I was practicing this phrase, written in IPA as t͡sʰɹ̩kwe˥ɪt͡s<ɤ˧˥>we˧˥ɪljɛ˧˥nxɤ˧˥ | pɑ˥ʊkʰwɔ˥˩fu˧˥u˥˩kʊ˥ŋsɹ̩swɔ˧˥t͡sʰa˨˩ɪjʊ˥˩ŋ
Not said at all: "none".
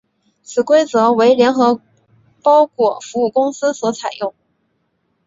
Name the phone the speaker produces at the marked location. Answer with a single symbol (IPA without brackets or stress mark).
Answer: ɤ˧˥